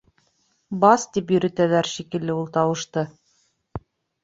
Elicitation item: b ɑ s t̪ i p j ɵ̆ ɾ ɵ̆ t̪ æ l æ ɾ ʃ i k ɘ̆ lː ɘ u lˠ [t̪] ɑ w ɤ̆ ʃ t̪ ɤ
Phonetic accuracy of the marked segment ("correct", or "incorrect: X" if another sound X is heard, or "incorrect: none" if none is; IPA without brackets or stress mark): correct